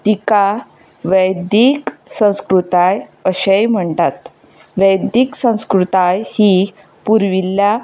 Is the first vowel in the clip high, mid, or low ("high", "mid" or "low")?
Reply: high